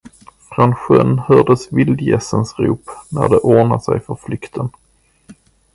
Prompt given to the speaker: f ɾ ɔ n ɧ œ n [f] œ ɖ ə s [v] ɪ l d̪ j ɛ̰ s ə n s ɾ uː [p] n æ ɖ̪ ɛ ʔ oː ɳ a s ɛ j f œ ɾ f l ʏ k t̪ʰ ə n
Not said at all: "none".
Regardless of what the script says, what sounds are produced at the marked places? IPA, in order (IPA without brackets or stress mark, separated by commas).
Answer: h, v, p